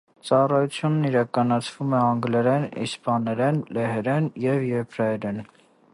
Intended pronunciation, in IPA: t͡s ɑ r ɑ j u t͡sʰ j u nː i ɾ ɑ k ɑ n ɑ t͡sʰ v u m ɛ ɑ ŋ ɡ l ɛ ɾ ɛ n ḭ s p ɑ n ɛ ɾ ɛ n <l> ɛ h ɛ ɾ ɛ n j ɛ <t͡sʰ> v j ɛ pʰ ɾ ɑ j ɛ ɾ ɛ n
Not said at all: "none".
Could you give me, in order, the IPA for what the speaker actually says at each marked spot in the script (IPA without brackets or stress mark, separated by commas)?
l, none